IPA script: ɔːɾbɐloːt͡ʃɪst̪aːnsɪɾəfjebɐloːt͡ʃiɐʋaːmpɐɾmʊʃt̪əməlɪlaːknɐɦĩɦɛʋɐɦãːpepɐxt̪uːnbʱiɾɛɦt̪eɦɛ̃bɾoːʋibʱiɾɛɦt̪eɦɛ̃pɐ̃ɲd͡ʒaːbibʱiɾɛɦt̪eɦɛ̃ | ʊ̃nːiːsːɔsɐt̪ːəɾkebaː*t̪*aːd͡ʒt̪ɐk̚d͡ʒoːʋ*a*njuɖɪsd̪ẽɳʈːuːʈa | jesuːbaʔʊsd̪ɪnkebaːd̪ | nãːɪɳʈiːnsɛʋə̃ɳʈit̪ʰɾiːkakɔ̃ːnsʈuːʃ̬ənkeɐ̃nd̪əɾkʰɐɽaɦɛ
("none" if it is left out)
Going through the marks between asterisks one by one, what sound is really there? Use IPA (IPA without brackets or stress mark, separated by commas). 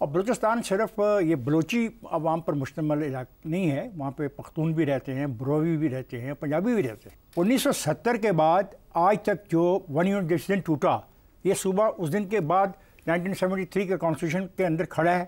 d̪, ɐ